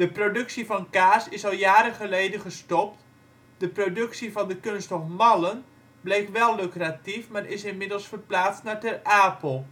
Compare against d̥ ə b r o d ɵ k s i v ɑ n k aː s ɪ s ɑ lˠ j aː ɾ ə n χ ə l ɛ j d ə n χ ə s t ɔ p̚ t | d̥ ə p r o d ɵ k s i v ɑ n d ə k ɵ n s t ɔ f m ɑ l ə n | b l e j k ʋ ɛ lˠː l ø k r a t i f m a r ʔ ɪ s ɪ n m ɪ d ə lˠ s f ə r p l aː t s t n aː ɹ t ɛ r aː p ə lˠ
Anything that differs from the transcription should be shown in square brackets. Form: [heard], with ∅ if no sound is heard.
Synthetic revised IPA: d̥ ə [p] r o d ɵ k s i v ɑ n k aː s ɪ s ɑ lˠ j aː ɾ ə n χ ə l [e] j d ə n χ ə s t ɔ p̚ t | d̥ ə p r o d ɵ k s i v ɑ n d ə k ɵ n s t ɔ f m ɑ l ə n | b l e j k ʋ ɛ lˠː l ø k r a t i f m a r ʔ ɪ s ɪ n m ɪ d ə lˠ s f ə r p l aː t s t n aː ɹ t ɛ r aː p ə lˠ